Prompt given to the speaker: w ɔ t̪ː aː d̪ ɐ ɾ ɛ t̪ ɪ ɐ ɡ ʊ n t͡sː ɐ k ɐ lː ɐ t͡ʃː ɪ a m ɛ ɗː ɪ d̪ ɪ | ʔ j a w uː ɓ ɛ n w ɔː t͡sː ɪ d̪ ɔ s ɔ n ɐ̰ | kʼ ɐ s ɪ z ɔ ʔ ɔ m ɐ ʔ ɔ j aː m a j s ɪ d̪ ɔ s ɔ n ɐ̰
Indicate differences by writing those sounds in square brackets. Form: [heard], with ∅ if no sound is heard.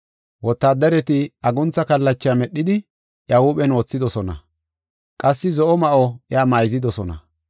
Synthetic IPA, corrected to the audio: w ɔ t̪ː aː d̪ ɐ ɾ ɛ t̪ ɪ ɐ ɡ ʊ n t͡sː ɐ k ɐ lː ɐ t͡ʃː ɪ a m ɛ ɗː ɪ d̪ ɪ | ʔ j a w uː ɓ ɛ n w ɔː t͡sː ɪ d̪ ɔ s ɔ n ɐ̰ | kʼ ɐ [sː] ɪ z ɔ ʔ ɔ m ɐ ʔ ɔ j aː m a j [z] ɪ d̪ ɔ s ɔ n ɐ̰